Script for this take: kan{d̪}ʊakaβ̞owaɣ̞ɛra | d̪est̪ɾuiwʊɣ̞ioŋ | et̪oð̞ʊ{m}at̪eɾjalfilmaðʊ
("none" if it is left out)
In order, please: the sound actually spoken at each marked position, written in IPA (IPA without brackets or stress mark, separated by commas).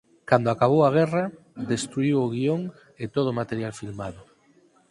d̪, m